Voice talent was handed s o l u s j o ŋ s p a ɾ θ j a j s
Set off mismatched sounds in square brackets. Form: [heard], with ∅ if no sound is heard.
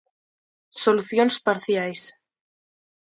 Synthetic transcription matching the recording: s o l u [θ] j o [n] s p a ɾ θ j a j s